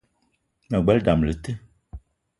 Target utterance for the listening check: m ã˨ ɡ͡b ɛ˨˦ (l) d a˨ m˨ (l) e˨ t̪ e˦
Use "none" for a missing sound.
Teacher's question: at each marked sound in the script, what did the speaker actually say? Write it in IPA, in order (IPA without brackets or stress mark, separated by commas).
l, l